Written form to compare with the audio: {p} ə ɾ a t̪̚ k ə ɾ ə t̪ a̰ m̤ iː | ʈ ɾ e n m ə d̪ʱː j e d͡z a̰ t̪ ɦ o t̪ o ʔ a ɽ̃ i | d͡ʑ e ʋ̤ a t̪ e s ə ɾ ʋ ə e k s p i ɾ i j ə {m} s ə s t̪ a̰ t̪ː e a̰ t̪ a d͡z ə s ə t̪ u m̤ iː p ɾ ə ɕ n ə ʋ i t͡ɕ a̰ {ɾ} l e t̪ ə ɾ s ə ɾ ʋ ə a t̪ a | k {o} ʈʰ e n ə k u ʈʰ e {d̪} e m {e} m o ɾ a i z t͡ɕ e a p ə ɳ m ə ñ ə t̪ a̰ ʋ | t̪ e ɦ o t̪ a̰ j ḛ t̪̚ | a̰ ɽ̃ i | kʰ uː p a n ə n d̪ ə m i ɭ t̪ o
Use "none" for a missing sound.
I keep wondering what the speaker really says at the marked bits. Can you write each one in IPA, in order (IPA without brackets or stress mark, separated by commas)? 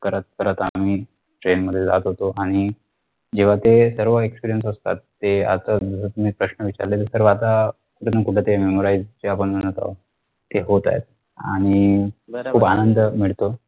k, n, ɾ, u, t̪, e